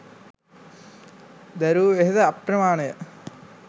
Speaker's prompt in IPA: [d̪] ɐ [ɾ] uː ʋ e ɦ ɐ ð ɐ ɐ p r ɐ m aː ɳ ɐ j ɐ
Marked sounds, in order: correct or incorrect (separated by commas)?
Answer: correct, correct